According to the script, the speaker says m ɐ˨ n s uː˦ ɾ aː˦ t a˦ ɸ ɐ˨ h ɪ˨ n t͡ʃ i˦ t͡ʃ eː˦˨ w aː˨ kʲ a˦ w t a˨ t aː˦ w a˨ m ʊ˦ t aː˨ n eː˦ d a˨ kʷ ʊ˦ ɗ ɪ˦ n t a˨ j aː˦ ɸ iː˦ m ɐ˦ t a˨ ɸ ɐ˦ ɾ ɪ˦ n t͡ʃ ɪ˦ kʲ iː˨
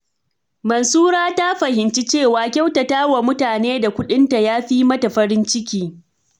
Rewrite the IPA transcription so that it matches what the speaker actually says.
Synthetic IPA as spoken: m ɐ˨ n s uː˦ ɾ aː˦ t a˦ ɸ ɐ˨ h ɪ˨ n t͡ʃ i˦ t͡ʃ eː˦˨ w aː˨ kʲ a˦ w t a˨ t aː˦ w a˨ m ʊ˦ t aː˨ n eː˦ d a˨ kʷ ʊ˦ ɗ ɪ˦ n t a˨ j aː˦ ɸ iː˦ m ɐ˦ t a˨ ɸ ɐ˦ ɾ ɪ˦ n t͡ʃ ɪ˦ kʲ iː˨